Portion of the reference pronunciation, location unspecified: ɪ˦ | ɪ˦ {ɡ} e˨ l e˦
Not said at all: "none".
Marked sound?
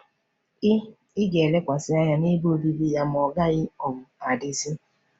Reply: ɡ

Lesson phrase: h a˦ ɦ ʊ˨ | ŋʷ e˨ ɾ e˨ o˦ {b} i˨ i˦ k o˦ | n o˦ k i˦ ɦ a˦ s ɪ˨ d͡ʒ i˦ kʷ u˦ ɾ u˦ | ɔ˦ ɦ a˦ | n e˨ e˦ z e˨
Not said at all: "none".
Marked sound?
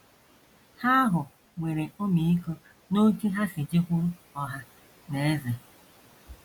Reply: m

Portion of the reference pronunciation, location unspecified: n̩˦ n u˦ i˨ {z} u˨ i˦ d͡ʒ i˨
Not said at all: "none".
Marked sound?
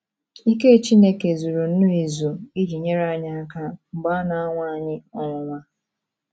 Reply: z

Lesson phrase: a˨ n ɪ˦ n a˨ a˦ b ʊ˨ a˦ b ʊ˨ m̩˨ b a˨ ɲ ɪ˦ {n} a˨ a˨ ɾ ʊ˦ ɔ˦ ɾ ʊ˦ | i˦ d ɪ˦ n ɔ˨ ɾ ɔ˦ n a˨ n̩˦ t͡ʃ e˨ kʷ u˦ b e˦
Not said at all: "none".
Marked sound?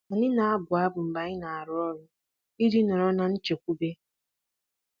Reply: n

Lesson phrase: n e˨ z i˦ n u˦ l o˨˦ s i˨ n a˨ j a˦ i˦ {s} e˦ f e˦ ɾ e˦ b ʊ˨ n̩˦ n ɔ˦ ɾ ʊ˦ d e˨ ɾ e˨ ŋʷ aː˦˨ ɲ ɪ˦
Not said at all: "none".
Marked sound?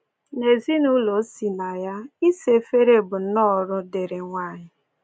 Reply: s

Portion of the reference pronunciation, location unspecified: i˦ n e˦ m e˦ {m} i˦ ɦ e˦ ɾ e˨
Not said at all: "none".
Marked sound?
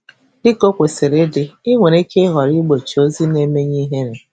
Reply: ɲ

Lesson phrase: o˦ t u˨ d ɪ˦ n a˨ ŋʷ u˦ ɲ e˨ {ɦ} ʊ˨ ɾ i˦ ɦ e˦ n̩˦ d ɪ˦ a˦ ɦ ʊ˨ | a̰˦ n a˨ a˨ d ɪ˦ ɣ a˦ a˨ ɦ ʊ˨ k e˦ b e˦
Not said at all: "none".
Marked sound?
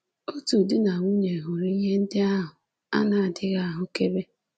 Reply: ɦ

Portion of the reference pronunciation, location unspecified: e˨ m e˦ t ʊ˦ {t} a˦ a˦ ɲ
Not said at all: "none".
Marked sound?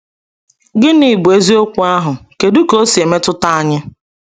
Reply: t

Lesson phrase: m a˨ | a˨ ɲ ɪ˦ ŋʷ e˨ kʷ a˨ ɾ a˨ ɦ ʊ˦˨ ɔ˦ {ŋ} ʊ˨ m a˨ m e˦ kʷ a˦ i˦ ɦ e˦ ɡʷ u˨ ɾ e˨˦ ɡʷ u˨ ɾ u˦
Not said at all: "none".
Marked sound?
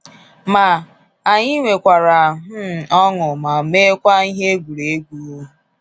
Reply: ŋ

